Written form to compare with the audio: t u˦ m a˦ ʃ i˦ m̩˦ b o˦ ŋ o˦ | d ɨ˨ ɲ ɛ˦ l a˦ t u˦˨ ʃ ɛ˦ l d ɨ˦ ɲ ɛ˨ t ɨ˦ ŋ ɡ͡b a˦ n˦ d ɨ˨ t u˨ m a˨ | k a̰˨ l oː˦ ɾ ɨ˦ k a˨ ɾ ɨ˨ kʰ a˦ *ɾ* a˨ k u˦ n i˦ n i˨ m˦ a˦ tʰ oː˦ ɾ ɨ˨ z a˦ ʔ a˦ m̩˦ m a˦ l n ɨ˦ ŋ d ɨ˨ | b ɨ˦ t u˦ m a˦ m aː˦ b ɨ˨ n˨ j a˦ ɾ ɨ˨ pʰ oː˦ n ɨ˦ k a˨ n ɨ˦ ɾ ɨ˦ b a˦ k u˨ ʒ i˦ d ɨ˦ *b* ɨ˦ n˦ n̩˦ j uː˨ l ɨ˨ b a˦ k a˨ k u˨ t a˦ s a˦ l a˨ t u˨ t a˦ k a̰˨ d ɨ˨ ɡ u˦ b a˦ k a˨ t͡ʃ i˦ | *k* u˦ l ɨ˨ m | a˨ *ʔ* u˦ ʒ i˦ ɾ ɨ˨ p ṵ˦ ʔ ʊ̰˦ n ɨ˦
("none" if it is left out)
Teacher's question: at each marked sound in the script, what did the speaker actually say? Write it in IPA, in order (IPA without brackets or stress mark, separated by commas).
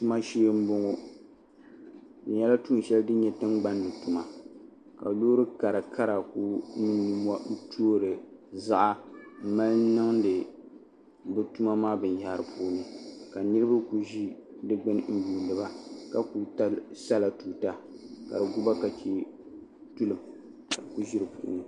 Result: ɾ, ɡ͡b, t, k